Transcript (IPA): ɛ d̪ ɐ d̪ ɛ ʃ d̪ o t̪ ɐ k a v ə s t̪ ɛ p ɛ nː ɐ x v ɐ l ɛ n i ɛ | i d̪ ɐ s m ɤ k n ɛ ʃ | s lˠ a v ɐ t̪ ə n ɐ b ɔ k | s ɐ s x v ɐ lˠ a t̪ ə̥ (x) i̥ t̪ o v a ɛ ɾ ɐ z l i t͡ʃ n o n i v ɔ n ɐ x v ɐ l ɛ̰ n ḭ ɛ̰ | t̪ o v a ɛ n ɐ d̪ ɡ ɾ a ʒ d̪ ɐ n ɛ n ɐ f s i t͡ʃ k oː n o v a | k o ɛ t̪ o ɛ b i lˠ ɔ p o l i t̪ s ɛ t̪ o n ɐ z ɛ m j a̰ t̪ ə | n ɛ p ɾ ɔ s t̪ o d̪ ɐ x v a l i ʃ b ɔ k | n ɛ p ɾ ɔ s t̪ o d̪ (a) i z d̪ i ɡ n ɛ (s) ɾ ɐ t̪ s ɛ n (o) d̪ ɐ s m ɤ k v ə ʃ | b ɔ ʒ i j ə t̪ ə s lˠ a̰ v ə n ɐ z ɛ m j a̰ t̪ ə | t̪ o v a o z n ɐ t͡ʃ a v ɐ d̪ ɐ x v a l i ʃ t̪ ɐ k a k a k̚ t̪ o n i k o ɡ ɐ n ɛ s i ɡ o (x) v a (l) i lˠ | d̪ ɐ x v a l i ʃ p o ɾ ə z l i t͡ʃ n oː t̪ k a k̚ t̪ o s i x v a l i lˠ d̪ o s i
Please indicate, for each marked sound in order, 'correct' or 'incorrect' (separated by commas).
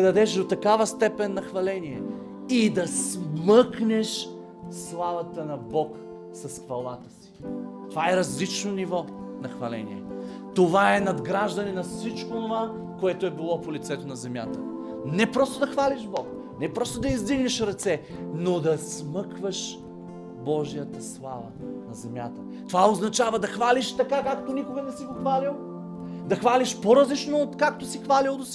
incorrect, incorrect, incorrect, correct, correct, correct